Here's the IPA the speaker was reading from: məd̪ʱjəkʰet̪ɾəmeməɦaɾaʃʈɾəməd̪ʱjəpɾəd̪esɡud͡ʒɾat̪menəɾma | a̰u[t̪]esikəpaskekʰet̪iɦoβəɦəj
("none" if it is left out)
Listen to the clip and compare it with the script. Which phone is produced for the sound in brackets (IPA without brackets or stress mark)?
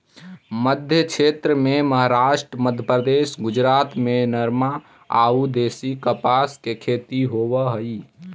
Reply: d̪